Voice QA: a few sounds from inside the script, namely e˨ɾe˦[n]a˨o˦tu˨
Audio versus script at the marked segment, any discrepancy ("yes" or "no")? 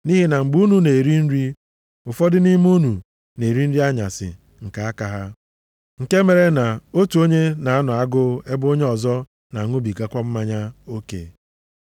no